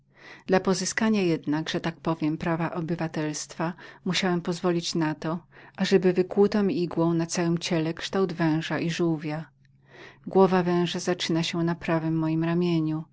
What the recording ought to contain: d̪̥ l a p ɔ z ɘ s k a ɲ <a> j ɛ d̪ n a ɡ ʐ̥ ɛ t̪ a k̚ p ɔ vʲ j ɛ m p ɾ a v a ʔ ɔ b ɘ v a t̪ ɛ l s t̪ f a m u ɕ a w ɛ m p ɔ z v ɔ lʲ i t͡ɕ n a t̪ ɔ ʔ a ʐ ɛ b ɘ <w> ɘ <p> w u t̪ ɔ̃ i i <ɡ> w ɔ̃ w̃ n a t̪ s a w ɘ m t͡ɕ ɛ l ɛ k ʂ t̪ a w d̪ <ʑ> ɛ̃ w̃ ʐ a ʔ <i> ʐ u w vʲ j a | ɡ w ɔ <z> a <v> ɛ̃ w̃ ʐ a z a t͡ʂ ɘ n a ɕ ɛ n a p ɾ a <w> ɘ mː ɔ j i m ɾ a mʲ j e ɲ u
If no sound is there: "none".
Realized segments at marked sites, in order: a, v, k, ɡ, v, i, v, v, v

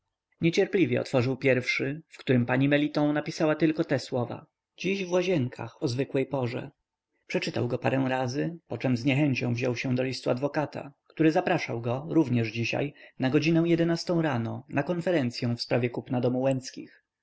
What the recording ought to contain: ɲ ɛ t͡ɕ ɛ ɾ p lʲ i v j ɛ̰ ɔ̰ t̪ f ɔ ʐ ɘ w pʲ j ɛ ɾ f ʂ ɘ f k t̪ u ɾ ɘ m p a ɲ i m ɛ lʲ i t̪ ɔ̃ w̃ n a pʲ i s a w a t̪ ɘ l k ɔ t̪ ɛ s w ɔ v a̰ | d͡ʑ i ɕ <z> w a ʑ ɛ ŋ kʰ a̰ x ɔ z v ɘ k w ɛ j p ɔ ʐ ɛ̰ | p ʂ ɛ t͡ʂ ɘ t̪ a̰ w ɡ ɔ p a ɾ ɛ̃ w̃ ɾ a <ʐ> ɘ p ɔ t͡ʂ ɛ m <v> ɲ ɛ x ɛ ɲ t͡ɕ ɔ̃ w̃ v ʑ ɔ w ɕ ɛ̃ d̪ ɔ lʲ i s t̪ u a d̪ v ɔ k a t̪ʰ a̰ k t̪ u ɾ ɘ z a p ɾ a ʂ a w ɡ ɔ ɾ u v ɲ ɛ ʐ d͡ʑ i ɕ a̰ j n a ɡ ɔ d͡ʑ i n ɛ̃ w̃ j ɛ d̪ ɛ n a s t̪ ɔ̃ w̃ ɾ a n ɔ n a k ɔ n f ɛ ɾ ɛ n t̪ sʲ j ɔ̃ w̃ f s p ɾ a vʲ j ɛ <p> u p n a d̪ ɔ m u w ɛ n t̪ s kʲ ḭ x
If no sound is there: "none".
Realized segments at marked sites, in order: v, z, z, k

